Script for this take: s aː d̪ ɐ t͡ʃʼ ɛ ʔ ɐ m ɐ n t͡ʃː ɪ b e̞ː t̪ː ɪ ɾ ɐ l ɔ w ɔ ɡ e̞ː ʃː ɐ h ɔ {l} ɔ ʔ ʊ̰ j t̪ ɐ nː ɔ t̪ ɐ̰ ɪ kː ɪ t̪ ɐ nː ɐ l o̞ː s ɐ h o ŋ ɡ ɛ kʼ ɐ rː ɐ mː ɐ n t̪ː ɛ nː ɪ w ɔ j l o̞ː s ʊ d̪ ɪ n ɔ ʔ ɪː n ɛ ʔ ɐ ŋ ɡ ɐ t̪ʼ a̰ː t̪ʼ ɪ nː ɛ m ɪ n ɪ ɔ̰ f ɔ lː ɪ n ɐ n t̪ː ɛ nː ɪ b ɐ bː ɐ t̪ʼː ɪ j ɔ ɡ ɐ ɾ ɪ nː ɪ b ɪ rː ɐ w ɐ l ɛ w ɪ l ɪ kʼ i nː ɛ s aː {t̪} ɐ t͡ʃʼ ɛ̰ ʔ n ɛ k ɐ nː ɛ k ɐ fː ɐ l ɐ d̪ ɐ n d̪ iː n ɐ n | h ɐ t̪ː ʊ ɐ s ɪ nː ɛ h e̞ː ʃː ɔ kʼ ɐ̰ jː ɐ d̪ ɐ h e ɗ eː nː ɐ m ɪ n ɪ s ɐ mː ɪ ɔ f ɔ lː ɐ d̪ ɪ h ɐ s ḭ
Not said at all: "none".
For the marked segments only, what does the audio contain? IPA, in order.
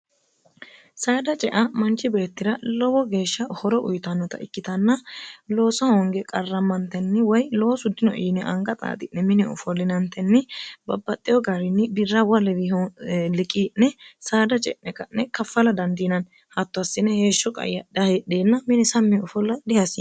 ɾ, d̪

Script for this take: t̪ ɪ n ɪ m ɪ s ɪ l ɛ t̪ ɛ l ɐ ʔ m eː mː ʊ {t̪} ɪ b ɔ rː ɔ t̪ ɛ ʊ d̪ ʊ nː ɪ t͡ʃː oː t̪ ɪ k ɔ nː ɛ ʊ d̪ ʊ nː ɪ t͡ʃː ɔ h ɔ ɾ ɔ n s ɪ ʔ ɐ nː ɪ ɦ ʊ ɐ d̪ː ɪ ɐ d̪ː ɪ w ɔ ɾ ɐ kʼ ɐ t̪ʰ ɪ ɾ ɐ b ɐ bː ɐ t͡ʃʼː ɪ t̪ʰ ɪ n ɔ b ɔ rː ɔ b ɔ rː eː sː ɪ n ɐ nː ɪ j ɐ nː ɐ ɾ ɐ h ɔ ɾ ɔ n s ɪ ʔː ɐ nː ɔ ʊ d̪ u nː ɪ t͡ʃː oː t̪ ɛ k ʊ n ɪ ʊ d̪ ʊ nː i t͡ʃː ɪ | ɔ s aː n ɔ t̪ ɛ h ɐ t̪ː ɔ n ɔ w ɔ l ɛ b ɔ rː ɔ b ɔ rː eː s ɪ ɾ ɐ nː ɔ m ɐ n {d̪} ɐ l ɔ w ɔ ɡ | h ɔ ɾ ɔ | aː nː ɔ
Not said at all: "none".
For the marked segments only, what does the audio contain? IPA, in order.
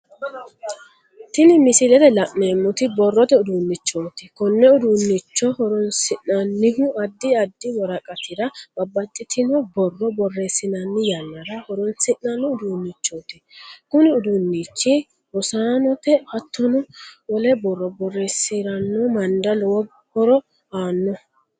t̪, d̪

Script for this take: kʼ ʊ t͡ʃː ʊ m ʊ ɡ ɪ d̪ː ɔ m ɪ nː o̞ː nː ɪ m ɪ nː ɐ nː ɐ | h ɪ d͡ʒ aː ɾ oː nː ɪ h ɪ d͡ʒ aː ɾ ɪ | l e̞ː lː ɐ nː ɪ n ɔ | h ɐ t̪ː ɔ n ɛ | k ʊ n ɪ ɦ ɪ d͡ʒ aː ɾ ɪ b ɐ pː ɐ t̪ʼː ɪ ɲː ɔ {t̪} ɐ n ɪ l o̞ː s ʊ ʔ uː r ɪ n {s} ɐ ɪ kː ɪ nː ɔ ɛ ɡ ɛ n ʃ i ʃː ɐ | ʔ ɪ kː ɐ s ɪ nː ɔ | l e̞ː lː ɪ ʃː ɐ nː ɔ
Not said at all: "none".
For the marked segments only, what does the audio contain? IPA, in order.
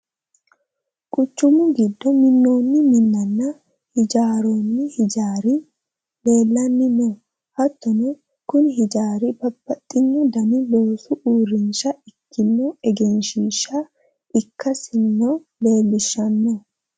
d̪, ʃ

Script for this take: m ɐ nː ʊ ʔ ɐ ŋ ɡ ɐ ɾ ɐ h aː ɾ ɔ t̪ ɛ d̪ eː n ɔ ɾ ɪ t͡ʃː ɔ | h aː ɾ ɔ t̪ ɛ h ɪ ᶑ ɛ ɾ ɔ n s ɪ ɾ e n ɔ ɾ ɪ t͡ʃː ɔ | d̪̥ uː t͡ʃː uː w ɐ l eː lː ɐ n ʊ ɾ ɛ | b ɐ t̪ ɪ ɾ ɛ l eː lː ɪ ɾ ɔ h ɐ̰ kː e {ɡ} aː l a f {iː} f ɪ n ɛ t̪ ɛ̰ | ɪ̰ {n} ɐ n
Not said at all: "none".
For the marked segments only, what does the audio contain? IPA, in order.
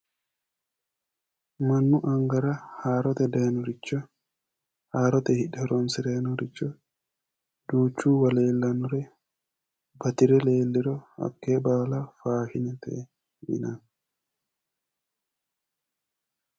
b, aː, n

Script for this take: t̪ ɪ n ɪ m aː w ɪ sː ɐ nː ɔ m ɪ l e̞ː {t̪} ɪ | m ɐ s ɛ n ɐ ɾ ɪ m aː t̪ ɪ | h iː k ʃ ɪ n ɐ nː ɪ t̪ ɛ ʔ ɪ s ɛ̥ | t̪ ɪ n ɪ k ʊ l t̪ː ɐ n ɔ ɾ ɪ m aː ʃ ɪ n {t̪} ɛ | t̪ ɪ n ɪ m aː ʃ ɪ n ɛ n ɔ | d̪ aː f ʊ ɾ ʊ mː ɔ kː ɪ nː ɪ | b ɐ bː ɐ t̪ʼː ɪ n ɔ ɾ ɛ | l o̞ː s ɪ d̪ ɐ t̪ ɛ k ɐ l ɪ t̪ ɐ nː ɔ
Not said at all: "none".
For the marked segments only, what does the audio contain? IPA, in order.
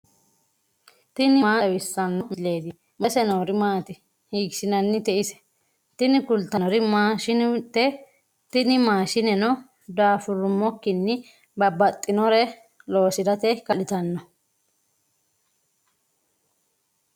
d̪, t̪

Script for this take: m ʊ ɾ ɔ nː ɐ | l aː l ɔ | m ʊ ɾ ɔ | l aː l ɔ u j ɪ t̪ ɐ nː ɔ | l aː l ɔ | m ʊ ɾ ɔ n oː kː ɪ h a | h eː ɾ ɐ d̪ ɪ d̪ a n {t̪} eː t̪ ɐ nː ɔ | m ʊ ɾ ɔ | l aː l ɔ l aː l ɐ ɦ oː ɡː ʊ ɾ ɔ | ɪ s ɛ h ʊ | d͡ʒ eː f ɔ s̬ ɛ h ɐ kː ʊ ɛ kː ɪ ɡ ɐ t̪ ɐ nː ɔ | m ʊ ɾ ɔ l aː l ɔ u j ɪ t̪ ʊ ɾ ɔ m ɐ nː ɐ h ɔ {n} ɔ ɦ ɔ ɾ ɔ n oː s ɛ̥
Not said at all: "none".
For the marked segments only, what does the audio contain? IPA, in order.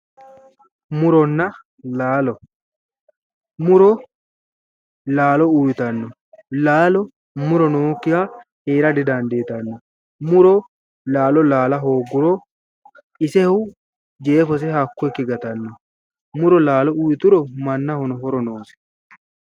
d̪, n

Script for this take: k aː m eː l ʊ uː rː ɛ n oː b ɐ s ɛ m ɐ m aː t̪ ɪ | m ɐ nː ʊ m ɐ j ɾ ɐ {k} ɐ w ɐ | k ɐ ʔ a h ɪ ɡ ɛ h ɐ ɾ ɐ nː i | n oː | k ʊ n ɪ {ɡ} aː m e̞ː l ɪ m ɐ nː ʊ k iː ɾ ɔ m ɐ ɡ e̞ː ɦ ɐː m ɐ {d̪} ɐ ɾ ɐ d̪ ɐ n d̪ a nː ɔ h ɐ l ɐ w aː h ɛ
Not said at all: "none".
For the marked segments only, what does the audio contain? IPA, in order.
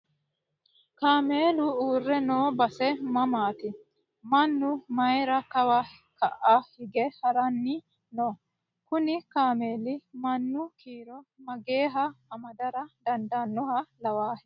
k, k, d̪

